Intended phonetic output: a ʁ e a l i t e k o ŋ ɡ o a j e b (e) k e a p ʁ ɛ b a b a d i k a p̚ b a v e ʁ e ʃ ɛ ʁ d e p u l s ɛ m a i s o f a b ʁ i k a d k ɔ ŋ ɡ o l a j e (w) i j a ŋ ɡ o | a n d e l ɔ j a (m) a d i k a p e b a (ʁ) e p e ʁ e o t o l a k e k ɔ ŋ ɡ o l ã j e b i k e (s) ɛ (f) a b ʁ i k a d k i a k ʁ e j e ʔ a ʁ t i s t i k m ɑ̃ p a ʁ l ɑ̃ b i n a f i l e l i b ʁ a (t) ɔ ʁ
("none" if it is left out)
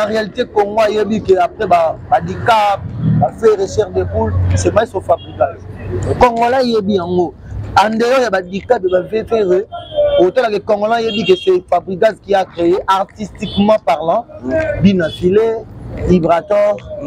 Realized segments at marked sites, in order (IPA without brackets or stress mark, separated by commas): i, b, b, v, s, f, t